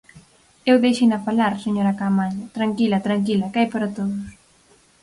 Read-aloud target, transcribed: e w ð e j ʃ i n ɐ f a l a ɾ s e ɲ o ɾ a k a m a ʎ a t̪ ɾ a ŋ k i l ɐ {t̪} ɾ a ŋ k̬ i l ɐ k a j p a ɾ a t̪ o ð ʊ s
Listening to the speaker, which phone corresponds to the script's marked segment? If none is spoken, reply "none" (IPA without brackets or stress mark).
t̪